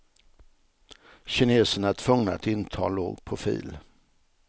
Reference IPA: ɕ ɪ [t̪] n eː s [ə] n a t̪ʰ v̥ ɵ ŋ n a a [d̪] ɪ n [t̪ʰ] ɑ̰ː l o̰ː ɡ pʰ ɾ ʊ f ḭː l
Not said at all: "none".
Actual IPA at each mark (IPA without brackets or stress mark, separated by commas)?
none, ə, t̪, t̪ʰ